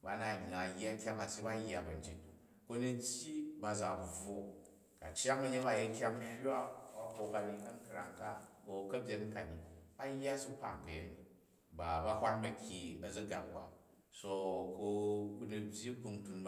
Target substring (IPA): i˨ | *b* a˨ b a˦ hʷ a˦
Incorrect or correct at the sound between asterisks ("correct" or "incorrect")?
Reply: correct